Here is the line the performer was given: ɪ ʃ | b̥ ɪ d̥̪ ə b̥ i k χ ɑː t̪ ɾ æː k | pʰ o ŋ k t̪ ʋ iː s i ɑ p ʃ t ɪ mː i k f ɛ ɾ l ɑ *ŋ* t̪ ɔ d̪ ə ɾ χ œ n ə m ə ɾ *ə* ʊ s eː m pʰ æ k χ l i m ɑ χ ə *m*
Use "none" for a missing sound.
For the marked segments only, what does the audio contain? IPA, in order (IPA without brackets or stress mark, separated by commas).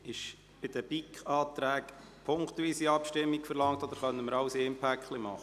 ŋ, ɑ, none